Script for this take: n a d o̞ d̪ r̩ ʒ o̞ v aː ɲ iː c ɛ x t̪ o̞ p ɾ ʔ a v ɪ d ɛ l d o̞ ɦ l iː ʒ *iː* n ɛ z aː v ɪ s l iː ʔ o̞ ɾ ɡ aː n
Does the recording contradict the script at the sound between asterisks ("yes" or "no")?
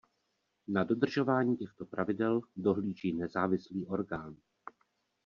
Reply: no